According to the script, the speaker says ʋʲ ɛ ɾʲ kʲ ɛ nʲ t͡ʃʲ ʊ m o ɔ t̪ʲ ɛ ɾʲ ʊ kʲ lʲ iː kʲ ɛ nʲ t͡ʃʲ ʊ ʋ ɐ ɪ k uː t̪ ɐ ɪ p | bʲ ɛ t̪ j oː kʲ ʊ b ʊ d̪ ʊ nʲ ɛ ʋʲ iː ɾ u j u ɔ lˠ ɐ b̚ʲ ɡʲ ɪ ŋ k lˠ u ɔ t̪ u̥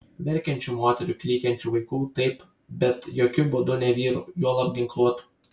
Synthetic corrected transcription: ʋʲ ɛ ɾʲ kʲ ɛ nʲ t͡ʃʲ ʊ m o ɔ t̪ʲ ɛ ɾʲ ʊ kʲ lʲ iː kʲ ɛ nʲ t͡ʃʲ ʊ ʋ ɐ ɪ k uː t̪ ɐ ɪ p | bʲ ɛ t̪ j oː kʲ ʊ b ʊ d̪ ʊ nʲ ɛ ʋʲ iː ɾ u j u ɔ lˠ ɐ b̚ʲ ɡʲ ɪ ŋ k lˠ u ɔ t̪ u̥